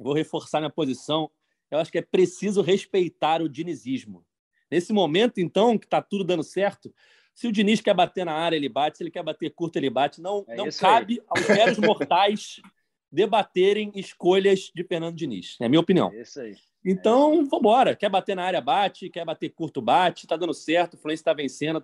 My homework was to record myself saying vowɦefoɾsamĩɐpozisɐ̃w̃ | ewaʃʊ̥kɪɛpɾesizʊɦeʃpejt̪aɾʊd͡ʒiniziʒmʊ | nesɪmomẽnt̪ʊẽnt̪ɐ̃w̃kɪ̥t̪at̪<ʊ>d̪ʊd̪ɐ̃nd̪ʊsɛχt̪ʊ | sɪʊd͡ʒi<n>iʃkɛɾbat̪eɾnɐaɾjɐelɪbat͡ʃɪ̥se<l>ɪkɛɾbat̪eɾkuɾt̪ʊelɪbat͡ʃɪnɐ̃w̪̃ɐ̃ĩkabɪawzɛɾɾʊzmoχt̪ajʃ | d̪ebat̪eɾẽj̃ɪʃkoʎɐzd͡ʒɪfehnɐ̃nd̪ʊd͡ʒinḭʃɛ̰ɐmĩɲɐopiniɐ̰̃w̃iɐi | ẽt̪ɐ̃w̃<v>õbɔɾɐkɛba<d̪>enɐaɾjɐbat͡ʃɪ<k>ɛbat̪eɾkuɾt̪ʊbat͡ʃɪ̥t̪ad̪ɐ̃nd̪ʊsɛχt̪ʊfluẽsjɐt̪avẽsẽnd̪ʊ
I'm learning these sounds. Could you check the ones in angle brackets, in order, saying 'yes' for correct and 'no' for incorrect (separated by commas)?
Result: no, yes, yes, yes, no, yes